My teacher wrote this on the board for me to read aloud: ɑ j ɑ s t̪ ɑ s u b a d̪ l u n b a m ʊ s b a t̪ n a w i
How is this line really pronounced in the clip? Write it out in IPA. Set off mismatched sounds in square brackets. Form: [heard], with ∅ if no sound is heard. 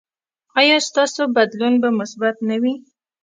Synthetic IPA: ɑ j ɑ s t̪ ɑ s [o] b a d̪ l u n b a m ʊ s b a t̪ n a w i